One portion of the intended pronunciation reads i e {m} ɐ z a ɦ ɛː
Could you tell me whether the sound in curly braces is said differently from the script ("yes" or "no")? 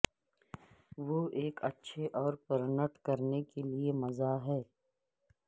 no